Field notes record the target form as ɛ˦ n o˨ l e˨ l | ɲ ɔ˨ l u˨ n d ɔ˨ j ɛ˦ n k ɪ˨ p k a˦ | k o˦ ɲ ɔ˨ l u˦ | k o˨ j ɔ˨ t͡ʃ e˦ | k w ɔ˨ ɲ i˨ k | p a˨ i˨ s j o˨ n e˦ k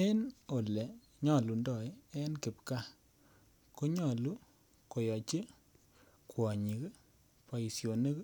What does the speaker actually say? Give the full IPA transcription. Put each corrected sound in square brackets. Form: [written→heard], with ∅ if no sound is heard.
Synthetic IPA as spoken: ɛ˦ n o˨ l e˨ [l→∅] | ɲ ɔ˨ l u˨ n d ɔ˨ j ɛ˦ n k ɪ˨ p k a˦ | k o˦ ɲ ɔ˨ l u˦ | k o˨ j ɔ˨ t͡ʃ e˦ | k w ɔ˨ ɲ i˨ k | p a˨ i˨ s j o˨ n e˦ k